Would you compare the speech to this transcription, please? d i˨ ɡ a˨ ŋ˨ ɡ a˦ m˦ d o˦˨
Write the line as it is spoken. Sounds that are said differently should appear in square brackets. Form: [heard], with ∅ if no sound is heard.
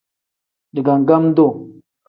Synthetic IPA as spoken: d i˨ ɡ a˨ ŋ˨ ɡ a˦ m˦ d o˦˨

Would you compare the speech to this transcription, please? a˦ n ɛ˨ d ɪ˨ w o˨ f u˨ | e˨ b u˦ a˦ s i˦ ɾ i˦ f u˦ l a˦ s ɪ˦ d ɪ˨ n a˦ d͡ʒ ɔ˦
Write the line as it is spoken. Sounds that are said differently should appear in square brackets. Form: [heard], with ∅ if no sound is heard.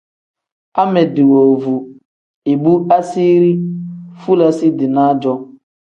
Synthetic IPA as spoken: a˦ [m] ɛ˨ d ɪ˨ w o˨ [v] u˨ | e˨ b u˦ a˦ s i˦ ɾ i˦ f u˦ l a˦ s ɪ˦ d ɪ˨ n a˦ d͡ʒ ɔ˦

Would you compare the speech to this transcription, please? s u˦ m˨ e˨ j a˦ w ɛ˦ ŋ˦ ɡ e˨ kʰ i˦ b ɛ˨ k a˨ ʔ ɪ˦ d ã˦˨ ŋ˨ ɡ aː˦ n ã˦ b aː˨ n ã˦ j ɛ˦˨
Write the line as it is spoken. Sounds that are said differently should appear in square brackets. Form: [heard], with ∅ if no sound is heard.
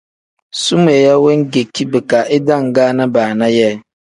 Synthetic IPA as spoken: s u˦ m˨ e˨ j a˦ w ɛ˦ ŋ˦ ɡ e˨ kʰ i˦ b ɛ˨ k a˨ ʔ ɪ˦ d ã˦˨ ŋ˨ ɡ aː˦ n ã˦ b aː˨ n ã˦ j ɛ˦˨

